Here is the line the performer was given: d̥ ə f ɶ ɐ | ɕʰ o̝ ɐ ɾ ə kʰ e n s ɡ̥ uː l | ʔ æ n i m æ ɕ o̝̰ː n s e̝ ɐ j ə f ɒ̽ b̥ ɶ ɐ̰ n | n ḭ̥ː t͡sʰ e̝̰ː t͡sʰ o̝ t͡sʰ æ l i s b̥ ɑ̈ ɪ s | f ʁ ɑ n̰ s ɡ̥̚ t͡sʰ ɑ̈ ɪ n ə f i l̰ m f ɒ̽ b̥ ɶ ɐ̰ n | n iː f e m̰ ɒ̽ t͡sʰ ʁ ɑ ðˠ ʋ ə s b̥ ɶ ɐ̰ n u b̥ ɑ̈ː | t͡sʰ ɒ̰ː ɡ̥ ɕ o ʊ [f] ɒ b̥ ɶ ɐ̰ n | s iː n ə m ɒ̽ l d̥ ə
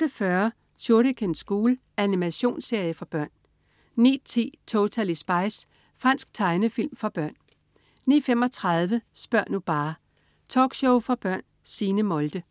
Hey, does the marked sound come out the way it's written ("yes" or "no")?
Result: yes